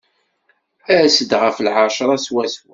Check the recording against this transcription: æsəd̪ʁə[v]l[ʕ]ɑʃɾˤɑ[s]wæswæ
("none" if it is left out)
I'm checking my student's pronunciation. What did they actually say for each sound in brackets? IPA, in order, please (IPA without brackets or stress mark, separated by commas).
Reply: f, ʕ, s